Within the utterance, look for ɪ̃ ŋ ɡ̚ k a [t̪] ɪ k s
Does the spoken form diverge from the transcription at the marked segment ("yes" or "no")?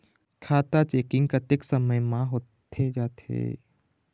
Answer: no